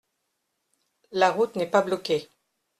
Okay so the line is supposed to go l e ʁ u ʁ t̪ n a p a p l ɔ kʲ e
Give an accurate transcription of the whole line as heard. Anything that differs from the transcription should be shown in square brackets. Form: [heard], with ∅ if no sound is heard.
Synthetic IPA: l [a] ʁ u [∅] t̪ n [ɛ] p a [b] l ɔ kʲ e